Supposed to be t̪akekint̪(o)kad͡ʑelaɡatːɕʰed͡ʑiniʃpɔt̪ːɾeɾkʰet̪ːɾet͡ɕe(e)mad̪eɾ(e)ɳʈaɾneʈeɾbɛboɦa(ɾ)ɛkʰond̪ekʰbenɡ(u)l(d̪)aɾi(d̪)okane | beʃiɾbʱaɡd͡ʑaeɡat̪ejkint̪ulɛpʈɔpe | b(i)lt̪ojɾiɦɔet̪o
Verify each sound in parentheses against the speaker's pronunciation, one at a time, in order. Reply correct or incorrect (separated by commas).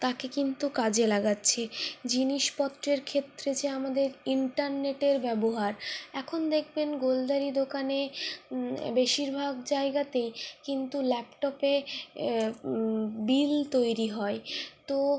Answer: incorrect, incorrect, incorrect, correct, incorrect, correct, correct, correct